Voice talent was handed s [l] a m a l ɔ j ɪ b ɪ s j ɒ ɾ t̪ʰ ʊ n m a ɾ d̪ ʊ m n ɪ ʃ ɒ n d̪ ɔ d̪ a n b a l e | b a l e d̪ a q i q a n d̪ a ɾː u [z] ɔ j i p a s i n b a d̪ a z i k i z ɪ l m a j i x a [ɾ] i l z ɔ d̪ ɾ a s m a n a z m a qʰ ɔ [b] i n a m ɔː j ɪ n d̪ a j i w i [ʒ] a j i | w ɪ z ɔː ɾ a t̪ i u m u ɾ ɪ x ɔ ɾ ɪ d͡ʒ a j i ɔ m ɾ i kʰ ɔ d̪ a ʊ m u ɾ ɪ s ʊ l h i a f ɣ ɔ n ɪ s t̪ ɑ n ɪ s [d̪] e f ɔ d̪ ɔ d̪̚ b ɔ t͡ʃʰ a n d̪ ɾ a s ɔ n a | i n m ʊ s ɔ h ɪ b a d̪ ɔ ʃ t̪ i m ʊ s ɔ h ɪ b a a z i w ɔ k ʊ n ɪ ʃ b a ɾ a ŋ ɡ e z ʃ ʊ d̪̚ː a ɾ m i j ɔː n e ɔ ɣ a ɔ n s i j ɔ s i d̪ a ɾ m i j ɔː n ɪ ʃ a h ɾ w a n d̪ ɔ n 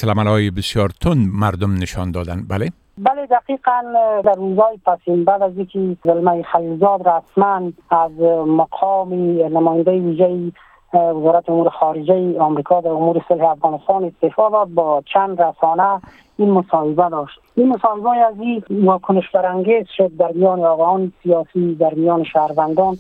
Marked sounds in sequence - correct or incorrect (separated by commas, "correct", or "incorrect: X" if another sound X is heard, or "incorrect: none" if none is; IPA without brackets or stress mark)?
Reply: correct, correct, incorrect: l, incorrect: m, correct, incorrect: t̪